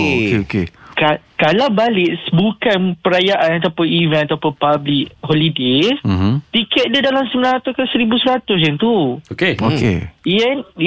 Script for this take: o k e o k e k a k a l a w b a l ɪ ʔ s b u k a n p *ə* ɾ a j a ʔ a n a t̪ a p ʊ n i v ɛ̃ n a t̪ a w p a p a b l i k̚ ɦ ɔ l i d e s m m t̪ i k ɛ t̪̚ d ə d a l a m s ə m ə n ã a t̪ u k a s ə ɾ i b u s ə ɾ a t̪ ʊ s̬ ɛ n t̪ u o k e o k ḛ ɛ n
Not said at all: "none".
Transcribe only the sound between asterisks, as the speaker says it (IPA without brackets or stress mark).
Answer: ə